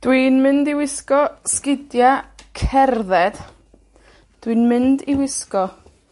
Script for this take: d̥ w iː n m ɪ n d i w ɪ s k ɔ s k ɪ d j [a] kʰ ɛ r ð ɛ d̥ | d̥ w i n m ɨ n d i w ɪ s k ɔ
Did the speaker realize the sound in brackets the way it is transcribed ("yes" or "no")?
yes